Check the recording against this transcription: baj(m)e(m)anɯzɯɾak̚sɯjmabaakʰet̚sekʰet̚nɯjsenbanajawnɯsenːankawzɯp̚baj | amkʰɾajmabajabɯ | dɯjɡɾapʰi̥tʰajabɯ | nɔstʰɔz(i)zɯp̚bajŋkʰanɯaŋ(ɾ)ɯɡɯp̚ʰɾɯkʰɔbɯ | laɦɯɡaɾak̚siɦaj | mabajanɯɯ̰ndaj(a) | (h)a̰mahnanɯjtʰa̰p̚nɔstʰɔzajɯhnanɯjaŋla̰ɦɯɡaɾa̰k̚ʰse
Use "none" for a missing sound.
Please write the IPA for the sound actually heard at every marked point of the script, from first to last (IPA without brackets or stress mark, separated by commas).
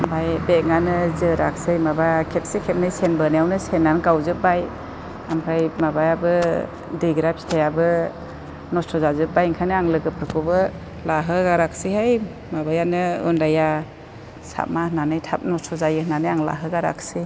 b, ŋ, a, l, a, s